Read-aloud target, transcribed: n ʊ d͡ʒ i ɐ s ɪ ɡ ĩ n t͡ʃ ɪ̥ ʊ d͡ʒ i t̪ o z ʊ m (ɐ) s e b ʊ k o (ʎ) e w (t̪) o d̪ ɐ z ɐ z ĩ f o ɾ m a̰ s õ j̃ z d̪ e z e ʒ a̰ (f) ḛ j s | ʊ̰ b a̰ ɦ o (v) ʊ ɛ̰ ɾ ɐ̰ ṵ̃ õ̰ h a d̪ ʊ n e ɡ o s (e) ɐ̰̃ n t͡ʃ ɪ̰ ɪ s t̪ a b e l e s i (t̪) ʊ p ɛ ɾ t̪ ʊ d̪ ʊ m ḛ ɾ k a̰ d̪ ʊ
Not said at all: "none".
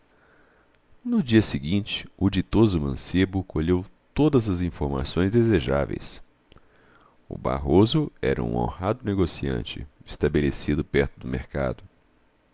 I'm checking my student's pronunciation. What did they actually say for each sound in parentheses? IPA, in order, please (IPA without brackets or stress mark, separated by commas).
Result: ɐ̃, ʎ, t̪, v, z, i, d̪